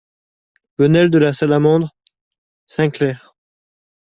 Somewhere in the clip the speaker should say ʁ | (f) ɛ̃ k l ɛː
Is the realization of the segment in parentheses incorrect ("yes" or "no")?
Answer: yes